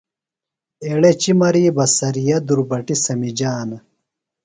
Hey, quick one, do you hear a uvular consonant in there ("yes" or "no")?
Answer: no